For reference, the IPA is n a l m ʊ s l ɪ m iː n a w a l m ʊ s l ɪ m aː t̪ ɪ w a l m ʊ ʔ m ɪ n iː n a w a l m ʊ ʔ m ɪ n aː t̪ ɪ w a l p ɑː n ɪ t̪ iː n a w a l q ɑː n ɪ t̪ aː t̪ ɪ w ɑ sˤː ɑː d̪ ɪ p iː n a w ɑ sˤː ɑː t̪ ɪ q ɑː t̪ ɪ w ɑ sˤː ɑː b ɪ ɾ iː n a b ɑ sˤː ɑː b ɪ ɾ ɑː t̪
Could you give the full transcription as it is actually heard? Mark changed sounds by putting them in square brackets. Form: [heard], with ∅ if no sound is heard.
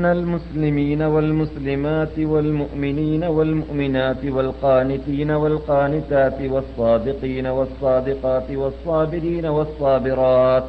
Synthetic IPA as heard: n a l m ʊ s l ɪ m iː n a w a l m ʊ s l ɪ m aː t̪ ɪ w a l m ʊ ʔ m ɪ n iː n a w a l m ʊ ʔ m ɪ n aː t̪ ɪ w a l [q] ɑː n ɪ t̪ iː n a w a l q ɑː n ɪ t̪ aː t̪ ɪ w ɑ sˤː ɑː d̪ ɪ [q] iː n a w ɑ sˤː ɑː [d̪] ɪ q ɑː t̪ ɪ w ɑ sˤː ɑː b ɪ ɾ iː n a [w] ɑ sˤː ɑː b ɪ ɾ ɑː t̪